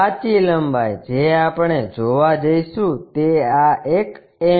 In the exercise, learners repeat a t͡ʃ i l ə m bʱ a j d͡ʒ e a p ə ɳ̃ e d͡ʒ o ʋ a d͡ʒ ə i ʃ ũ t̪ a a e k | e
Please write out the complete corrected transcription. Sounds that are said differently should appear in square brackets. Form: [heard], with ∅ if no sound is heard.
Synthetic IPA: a t͡ʃ i l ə m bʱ a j d͡ʒ e a p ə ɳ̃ e d͡ʒ o ʋ a d͡ʒ ə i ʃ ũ t̪ [e] a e k | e